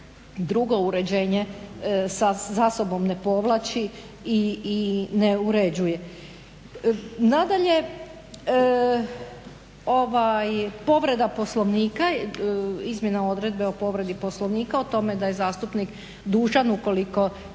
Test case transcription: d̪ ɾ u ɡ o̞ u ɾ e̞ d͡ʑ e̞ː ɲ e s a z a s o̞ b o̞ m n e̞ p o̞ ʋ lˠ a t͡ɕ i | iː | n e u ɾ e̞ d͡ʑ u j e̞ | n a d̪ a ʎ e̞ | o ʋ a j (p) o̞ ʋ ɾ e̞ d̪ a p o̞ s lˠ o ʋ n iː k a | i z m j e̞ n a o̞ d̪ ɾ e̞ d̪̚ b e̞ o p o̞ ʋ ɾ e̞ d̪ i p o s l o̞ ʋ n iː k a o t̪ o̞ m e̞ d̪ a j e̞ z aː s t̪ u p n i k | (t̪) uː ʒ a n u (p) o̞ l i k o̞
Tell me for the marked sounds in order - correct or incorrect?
correct, incorrect, incorrect

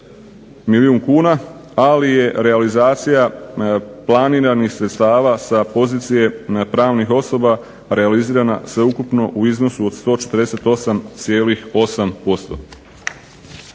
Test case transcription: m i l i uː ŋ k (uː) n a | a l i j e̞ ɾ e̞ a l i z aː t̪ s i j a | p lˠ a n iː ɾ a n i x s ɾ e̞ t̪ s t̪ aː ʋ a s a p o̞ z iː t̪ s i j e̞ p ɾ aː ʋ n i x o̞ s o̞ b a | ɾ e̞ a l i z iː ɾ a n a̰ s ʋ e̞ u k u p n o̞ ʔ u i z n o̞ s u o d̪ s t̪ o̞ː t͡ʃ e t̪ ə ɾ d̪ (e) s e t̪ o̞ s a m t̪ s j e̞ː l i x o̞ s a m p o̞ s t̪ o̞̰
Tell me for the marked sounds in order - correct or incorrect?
correct, correct

